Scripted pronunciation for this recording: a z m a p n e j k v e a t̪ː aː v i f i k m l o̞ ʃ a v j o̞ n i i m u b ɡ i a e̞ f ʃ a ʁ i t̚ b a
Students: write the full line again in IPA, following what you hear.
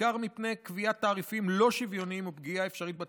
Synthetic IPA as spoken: a ʁ m i p n e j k v i a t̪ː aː ʁ i f i m l o̞ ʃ i v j o̞ n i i m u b ɡ i a e̞ f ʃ a ʁ i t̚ b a